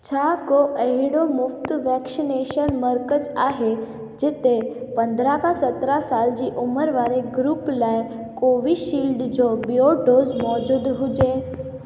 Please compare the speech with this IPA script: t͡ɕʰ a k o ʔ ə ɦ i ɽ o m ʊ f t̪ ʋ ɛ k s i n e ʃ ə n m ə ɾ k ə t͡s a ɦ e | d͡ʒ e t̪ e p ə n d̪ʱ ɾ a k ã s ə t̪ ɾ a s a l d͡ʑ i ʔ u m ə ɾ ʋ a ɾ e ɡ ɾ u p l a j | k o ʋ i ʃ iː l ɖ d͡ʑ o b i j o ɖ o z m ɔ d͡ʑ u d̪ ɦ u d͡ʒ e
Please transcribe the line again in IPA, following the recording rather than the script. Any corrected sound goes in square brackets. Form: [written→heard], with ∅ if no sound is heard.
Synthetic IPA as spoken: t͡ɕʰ a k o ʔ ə ɦ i ɽ o m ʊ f t̪ ʋ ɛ k s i n e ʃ ə n m ə ɾ k ə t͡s a ɦ e | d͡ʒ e t̪ e p ə n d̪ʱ ɾ a k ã s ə t̪ ɾ a s a l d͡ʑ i ʔ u m ə ɾ ʋ a ɾ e ɡ ɾ u p l a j | k o ʋ i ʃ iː l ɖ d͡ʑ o b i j o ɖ o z m ɔ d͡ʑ u d̪ ɦ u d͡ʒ e